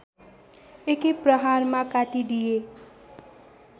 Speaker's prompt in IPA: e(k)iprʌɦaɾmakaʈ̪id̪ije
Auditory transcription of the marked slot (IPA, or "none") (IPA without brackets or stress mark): k